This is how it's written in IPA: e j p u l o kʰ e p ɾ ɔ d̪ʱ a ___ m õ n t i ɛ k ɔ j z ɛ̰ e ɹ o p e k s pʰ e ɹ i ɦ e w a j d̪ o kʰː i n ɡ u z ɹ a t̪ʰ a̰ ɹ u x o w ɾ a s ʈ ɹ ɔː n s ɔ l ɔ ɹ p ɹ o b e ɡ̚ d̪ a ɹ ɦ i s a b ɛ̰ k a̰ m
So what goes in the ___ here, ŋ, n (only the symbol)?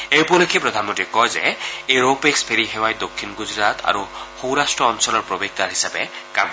n